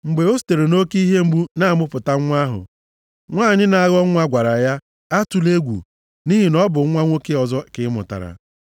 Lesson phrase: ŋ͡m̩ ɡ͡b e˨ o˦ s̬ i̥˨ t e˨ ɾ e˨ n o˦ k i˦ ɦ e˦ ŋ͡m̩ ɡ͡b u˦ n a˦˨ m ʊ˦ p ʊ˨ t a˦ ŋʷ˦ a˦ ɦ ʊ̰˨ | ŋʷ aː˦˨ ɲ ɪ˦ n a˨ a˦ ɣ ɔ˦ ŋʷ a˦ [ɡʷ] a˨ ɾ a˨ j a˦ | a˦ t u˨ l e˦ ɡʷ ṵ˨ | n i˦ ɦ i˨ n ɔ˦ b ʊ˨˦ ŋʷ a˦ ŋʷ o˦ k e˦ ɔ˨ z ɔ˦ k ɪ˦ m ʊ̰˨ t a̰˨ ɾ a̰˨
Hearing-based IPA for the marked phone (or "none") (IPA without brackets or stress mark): ɡʷ